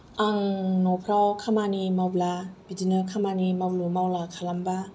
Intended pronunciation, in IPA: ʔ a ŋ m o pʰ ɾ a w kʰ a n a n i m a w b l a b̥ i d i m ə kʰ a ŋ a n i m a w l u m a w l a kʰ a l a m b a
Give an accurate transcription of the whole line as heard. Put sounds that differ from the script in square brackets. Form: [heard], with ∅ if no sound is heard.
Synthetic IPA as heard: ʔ a ŋ [n] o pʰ ɾ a w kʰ a [m] a n i m a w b l a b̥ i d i [n] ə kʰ a [m] a n i m a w l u m a w l a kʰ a l a m b a